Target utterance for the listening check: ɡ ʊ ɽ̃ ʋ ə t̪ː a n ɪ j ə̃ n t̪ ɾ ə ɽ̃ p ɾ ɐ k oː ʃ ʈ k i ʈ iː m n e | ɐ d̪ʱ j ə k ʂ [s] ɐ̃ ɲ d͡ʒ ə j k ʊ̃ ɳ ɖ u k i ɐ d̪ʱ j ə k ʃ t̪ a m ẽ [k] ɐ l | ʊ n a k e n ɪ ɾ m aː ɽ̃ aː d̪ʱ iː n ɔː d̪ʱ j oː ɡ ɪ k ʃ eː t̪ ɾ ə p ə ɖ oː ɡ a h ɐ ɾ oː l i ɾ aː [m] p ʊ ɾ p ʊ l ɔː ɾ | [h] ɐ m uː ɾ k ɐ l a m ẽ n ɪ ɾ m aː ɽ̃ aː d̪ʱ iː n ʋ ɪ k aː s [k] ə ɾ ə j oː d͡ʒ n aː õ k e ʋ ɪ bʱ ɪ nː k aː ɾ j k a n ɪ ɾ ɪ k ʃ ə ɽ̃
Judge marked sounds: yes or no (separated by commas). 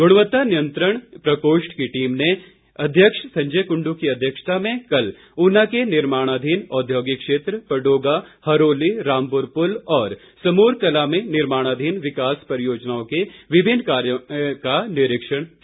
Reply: yes, yes, yes, no, no